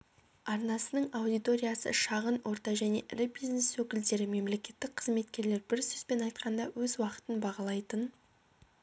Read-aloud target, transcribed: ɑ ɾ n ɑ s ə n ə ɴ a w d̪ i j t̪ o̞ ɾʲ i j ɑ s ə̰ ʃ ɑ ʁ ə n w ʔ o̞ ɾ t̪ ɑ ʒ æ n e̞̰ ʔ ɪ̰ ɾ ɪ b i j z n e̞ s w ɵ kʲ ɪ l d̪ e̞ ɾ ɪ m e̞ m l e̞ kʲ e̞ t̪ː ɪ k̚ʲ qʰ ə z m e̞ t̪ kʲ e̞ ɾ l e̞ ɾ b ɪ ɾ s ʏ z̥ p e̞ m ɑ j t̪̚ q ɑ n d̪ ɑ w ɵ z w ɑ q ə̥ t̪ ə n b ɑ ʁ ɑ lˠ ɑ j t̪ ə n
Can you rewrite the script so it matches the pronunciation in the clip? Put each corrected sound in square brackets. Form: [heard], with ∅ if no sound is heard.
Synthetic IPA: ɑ ɾ n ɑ s ə n ə ɴ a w d̪ i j t̪ o̞ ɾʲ i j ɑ s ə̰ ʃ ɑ ʁ ə n w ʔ o̞ ɾ t̪ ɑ ʒ æ n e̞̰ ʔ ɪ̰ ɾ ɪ b i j z n e̞ s w ɵ kʲ ɪ l d̪ e̞ ɾ ɪ m e̞ m l e̞ kʲ e̞ t̪ː ɪ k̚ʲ qʰ ə z m e̞ t̪ kʲ e̞ ɾ l e̞ ɾ b ɪ ɾ s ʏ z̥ p e̞ [n] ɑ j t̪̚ q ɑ n d̪ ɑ w ɵ z w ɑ q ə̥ t̪ ə n b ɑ ʁ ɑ lˠ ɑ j t̪ ə n